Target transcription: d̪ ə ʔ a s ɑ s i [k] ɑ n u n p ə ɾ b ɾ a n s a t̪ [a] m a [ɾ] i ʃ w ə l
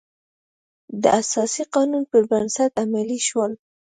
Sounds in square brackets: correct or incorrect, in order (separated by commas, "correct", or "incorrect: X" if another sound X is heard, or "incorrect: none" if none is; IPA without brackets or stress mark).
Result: incorrect: q, correct, incorrect: l